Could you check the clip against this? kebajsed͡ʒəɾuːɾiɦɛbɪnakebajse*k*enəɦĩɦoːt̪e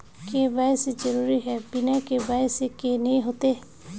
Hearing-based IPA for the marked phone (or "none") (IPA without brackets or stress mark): k